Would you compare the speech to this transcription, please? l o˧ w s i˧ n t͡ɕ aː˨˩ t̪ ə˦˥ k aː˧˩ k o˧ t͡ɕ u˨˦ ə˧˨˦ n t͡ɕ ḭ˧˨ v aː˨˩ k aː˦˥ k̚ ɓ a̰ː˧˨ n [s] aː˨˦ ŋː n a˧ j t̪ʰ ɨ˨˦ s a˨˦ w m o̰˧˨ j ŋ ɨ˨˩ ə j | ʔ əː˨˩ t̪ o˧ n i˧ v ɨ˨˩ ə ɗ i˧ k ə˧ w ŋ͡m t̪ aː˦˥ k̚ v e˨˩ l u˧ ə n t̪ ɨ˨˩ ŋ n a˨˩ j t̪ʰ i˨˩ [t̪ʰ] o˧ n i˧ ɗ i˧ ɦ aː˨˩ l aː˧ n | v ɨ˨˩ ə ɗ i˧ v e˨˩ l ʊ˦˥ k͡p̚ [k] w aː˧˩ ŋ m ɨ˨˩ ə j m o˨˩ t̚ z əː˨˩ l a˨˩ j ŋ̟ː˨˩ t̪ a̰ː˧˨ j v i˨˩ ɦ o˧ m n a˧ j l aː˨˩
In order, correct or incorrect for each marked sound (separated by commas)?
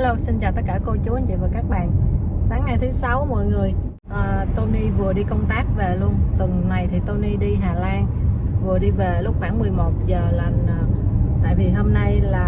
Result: correct, incorrect, incorrect